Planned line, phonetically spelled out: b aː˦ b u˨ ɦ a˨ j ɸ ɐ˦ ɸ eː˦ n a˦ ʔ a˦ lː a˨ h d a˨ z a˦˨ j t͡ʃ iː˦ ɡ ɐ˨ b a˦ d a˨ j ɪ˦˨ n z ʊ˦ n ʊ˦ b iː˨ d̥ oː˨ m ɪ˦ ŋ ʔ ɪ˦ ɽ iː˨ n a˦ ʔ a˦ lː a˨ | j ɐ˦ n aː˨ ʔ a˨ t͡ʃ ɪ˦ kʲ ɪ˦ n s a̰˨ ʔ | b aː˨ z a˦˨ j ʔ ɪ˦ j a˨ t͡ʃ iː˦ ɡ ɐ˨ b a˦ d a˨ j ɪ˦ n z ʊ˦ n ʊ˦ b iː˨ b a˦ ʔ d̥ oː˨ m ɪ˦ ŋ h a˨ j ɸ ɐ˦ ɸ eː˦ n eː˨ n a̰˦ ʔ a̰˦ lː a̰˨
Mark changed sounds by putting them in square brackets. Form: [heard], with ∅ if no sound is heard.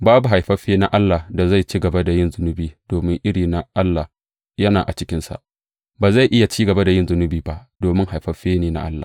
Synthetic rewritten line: b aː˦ b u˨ ɦ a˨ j ɸ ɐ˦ ɸ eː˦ n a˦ ʔ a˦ lː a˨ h d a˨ z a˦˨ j t͡ʃ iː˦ ɡ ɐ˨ b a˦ d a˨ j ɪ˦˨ n z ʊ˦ n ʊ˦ b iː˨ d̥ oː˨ m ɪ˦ ŋ ʔ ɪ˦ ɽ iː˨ n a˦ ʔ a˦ lː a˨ | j ɐ˦ n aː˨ ʔ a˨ t͡ʃ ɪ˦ kʲ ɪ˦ n s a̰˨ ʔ | b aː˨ z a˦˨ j ʔ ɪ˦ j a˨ t͡ʃ iː˦ ɡ ɐ˨ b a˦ d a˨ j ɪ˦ n z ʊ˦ n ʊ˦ b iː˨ b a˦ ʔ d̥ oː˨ m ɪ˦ ŋ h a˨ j ɸ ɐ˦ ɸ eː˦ n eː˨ n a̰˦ ʔ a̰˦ lː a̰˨